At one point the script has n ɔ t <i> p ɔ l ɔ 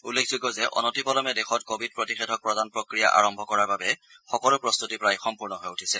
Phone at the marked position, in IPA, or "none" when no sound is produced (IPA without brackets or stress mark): i